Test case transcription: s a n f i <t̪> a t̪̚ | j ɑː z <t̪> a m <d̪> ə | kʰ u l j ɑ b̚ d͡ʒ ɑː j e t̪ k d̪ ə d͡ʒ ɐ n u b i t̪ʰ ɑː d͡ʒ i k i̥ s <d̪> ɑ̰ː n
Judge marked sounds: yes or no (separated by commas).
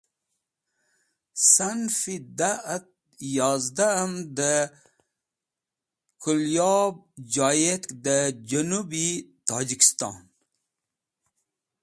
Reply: no, no, yes, no